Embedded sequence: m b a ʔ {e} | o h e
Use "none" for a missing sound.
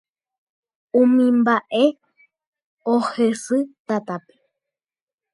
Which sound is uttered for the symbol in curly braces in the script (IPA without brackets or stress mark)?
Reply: e